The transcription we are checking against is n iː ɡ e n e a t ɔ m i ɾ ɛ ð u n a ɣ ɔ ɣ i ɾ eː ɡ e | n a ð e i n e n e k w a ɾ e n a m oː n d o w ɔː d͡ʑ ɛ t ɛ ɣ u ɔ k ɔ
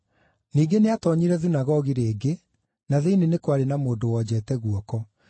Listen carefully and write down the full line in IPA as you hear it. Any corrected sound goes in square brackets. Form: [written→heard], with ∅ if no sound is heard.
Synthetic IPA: n iː ɡ e n e a t ɔ [m→ɲ] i ɾ ɛ ð u n a ɣ ɔ ɣ i ɾ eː ɡ e | n a ð e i n e n e k w a ɾ e n a m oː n d o w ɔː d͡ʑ ɛ t ɛ ɣ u ɔ k ɔ